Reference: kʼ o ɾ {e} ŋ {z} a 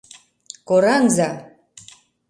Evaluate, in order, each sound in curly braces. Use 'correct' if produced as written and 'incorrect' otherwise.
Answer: incorrect: a, correct

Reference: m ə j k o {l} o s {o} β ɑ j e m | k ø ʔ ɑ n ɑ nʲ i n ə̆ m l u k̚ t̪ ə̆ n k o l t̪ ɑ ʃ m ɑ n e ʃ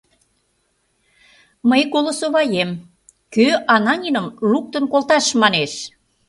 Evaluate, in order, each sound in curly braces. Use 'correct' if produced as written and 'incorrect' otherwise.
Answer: correct, correct

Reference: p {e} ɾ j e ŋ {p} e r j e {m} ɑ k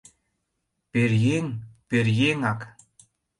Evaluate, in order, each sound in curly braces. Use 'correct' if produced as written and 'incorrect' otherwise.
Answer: correct, correct, incorrect: ŋ

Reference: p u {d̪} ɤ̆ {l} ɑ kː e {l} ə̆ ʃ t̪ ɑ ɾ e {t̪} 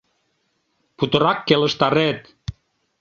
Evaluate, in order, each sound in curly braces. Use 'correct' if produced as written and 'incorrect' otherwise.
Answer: incorrect: t̪, incorrect: ɾ, correct, correct

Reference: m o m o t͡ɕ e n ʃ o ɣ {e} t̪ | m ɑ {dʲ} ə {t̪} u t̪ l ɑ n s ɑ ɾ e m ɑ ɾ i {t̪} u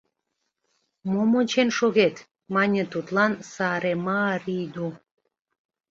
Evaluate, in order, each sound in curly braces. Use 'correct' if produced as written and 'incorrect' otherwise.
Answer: correct, incorrect: nʲ, correct, incorrect: d̪

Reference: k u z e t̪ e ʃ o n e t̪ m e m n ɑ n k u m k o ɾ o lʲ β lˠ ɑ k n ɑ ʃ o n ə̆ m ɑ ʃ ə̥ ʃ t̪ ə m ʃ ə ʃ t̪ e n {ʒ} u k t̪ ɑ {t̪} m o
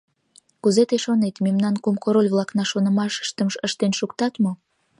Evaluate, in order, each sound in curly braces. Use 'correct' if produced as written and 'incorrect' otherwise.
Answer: incorrect: ʃ, correct

